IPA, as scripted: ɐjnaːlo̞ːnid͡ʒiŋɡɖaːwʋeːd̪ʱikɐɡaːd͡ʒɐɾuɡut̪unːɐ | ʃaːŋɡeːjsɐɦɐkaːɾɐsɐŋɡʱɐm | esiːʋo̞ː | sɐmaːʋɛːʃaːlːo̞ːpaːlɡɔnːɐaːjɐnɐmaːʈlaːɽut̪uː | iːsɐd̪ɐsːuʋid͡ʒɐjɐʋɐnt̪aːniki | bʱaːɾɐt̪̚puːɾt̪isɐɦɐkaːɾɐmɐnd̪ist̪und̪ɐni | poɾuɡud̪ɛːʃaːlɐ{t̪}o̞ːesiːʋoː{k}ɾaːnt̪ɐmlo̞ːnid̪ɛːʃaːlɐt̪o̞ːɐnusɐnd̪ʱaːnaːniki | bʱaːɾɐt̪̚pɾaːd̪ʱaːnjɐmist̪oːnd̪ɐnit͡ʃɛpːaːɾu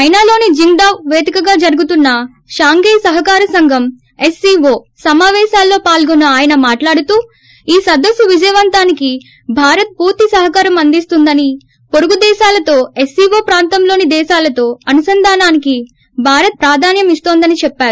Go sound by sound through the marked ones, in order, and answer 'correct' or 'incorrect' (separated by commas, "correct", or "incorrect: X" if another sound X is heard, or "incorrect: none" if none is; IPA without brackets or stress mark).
correct, incorrect: p